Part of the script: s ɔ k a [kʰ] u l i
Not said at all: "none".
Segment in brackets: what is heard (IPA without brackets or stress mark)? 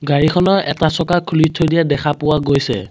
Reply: kʰ